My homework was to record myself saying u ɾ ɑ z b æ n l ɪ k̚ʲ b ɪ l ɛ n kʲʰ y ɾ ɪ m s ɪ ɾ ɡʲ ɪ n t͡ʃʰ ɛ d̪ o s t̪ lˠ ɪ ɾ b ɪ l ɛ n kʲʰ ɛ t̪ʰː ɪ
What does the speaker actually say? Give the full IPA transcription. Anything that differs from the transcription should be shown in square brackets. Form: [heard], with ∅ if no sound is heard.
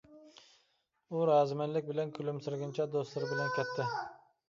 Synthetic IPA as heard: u ɾ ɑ z [m] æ n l ɪ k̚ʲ b ɪ l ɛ n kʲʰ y [l] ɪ m s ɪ ɾ ɡʲ ɪ n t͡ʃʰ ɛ d̪ o s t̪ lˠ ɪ ɾ b ɪ l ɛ n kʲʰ ɛ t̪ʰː ɪ